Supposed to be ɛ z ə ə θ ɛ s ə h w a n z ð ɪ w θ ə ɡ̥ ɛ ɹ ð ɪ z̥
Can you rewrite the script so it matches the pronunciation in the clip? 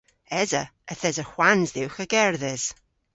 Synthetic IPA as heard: ɛ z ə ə θ ɛ z ə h w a n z ð ɪ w x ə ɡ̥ ɛ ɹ ð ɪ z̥